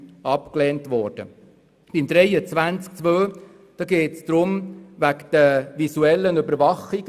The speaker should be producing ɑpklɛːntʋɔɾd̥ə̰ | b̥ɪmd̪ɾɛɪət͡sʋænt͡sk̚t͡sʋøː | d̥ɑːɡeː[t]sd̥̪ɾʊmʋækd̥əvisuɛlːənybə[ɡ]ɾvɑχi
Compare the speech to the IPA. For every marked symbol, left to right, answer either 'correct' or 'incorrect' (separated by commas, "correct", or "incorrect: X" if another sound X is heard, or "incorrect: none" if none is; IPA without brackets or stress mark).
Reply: correct, incorrect: none